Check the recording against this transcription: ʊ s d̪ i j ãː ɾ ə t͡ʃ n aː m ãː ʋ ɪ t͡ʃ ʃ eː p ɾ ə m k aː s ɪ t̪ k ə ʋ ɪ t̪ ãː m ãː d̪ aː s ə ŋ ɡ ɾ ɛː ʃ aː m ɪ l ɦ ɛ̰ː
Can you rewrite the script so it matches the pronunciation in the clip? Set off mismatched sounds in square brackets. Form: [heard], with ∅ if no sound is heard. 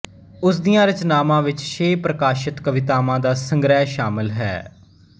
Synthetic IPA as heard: ʊ s d̪ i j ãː ɾ ə t͡ʃ n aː m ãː ʋ ɪ t͡ʃ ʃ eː p ɾ ə [∅] k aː [ʃ] ɪ t̪ k ə ʋ ɪ t̪ [aː] m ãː d̪ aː s ə ŋ ɡ ɾ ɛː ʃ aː m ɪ l ɦ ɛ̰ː